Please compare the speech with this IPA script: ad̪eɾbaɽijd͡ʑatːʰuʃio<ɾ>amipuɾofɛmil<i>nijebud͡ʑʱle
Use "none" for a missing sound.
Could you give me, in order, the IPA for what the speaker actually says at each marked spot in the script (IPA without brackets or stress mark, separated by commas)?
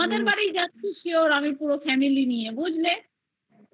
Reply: ɾ, i